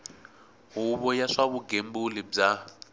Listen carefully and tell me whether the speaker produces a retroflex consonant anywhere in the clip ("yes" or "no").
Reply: yes